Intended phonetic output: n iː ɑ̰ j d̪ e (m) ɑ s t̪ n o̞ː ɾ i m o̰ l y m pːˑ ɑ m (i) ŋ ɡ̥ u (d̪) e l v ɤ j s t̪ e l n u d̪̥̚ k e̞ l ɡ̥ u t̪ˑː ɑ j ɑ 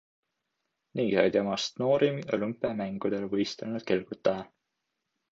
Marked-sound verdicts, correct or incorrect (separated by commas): correct, incorrect, correct